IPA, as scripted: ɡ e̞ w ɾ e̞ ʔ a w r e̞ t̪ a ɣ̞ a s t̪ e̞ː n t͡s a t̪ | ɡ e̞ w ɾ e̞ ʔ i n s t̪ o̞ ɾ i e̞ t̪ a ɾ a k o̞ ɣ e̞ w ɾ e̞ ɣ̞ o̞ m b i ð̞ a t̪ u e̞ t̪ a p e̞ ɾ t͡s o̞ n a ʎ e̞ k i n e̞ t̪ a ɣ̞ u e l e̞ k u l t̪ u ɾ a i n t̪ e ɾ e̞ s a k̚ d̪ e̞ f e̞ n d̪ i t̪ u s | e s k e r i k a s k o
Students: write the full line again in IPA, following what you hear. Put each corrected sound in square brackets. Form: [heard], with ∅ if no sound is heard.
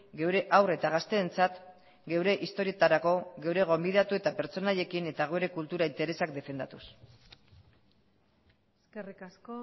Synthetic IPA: ɡ e̞ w ɾ e̞ ʔ a w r e̞ t̪ a ɣ̞ a s t̪ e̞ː n t͡s a t̪ | ɡ e̞ w ɾ e̞ ʔ i [∅] s t̪ o̞ ɾ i e̞ t̪ a ɾ a k o̞ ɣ e̞ w ɾ e̞ ɣ̞ o̞ m b i ð̞ a t̪ u e̞ t̪ a p e̞ ɾ t͡s o̞ n a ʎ e̞ k i n e̞ t̪ a ɣ̞ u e [ɾ] e̞ k u l t̪ u ɾ a i n t̪ e ɾ e̞ s a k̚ d̪ e̞ f e̞ n d̪ [a] t̪ u s | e s k e r i k a s k o